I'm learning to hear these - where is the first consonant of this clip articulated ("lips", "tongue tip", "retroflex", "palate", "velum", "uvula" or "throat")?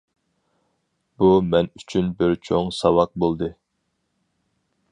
lips